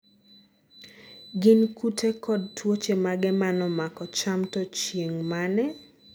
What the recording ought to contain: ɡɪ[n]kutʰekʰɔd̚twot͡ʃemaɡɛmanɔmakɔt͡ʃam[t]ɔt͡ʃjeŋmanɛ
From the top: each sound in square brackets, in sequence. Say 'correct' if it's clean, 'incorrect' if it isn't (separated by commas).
correct, correct